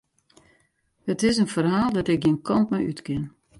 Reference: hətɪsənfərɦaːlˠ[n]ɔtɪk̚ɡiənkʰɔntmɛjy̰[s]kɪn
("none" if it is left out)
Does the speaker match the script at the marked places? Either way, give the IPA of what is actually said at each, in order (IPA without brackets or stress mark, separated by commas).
d, t